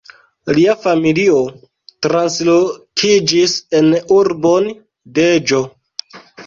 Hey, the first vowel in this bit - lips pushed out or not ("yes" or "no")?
no